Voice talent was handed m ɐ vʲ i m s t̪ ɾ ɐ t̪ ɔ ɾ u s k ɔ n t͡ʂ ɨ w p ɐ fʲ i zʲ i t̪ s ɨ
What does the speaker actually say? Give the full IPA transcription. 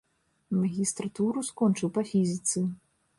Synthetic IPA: m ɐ ɣʲ i s t̪ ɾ a t̪ u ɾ u s k ɔ n t͡ʂ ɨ w p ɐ fʲ i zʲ i t̪ s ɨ